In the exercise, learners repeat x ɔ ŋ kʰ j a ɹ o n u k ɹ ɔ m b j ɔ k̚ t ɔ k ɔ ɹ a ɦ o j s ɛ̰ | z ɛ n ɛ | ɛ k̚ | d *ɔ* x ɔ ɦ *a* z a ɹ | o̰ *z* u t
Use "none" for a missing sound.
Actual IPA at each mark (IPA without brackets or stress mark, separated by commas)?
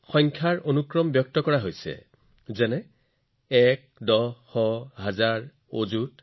ɔ, a, z